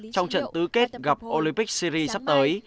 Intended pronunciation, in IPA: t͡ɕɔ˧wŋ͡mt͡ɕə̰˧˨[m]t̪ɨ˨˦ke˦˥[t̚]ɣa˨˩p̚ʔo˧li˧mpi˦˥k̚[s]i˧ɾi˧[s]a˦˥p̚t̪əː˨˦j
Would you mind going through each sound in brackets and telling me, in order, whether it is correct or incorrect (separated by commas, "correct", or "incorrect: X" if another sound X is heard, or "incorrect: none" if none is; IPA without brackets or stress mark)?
incorrect: n, correct, correct, correct